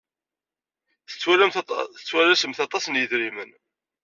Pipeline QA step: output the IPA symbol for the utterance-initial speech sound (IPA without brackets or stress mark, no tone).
θ